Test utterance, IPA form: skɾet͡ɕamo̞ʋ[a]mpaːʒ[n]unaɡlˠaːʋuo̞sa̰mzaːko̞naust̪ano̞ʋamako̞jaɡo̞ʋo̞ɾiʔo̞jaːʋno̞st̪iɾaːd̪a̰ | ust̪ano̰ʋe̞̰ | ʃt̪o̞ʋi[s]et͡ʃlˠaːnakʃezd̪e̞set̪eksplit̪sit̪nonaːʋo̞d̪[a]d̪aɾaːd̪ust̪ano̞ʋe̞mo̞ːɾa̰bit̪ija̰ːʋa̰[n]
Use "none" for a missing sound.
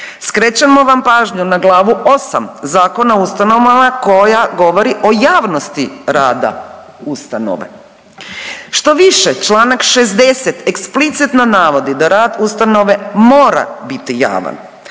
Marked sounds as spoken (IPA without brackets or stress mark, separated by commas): a, ɲ, ʃ, i, n